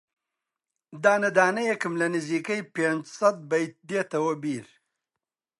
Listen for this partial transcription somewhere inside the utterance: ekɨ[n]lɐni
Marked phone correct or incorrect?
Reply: incorrect